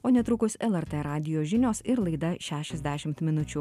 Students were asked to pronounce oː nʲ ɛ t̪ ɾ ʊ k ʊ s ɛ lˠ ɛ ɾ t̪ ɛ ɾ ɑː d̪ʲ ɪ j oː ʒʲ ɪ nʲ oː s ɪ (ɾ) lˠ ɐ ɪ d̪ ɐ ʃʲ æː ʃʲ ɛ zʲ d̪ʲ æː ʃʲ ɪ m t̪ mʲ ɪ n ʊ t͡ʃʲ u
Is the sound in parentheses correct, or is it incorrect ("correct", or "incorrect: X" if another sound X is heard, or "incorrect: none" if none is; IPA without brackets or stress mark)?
correct